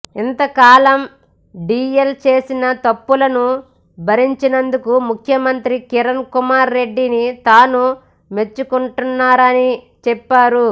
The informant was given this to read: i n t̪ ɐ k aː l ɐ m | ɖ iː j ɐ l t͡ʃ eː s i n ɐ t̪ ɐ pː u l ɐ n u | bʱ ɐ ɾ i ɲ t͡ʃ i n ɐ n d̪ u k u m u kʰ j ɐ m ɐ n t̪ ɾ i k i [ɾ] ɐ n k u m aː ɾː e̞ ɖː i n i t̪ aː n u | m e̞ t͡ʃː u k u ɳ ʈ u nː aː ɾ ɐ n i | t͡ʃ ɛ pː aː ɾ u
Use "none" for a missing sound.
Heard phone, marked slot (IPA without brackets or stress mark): ɾ